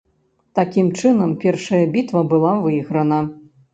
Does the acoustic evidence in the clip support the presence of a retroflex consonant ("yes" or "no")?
yes